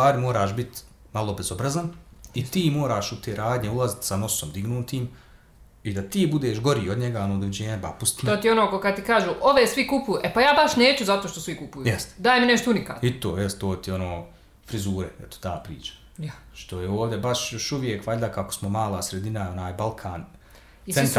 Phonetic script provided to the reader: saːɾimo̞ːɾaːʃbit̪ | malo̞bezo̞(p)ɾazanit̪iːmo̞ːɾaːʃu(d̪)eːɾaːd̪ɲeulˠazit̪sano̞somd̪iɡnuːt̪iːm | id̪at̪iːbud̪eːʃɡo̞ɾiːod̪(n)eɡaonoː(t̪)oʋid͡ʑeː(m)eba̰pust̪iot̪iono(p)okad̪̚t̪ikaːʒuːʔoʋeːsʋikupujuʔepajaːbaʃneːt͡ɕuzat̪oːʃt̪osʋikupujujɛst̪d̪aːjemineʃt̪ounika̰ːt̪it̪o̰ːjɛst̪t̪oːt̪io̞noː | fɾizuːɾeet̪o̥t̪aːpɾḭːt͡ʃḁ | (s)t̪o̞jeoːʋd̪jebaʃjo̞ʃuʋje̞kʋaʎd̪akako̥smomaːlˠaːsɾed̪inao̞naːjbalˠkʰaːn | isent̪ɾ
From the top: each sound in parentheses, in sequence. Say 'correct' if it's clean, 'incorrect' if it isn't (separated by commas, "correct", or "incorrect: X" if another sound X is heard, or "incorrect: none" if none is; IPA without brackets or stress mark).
incorrect: b, incorrect: t̪, incorrect: ɲ, incorrect: d̪, incorrect: ɲ, incorrect: k, incorrect: ʃ